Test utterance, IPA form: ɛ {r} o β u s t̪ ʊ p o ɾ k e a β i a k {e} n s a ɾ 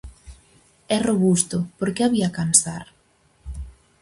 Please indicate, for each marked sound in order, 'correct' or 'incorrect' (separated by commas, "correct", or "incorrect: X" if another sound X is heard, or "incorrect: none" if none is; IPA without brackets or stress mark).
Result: correct, incorrect: a